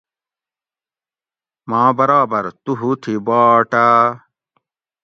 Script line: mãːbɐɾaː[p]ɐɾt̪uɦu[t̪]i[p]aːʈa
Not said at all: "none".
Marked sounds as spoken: b, t̪ʰ, b

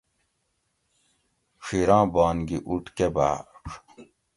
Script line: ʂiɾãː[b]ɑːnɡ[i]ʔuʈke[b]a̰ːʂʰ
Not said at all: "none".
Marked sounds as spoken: b, i, b

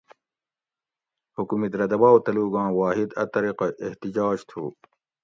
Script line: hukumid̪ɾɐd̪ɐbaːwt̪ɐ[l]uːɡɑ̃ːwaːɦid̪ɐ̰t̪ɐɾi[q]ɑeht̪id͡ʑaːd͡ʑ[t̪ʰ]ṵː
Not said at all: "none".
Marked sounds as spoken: l, q, t̪ʰ

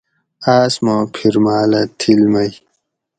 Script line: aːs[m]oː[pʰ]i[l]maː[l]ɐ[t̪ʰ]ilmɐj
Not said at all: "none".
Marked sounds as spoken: m, pʰ, ɾ, l, t̪ʰ

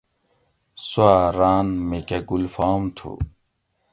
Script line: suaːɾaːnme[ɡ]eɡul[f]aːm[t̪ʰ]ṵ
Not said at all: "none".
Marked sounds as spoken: k, f, t̪ʰ

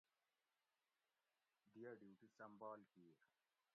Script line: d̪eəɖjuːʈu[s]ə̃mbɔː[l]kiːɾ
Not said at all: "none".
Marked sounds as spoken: s, l

